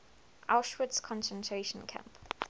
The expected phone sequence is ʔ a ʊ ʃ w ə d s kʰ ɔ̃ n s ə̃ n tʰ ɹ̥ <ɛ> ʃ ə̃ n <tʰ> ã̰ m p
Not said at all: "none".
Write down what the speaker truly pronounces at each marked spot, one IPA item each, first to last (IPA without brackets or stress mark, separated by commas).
e, kʰ